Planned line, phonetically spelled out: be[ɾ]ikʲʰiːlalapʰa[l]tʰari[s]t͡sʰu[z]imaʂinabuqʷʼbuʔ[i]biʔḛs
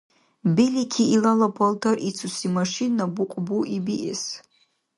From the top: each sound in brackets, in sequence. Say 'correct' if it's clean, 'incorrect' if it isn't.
incorrect: l, correct, incorrect: none, incorrect: s, correct

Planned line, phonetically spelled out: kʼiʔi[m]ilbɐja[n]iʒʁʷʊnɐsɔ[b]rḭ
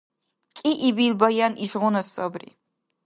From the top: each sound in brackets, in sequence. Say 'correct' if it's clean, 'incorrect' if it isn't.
incorrect: b, correct, correct

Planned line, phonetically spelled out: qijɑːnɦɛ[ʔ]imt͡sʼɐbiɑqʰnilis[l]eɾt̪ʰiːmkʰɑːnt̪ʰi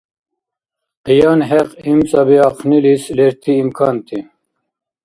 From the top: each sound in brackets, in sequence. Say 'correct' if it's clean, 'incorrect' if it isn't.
incorrect: q, correct

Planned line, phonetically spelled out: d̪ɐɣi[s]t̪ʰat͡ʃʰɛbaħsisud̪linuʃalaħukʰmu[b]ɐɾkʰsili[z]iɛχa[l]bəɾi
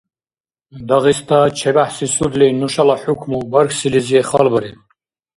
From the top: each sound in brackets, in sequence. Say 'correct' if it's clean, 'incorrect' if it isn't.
correct, correct, correct, correct

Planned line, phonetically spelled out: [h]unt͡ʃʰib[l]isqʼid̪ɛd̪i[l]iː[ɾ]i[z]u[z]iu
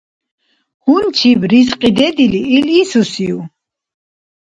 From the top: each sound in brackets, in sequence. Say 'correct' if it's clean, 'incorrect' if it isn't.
correct, incorrect: ɾ, correct, incorrect: l, incorrect: s, incorrect: s

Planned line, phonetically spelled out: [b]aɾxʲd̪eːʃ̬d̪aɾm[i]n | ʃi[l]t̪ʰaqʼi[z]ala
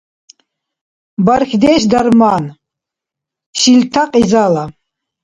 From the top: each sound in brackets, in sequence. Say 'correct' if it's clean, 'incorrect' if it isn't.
correct, incorrect: a, correct, correct

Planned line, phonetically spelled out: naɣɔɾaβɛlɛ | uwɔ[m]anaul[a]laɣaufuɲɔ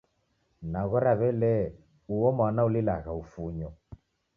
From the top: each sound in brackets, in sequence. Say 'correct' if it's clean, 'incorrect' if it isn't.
correct, incorrect: i

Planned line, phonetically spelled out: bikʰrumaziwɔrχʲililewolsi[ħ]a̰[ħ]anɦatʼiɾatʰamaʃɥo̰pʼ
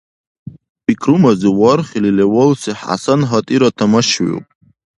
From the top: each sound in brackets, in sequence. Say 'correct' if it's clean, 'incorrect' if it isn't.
correct, incorrect: s

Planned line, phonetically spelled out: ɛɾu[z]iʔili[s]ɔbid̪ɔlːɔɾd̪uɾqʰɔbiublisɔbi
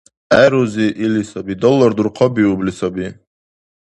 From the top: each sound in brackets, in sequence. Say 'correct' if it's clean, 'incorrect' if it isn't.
correct, correct

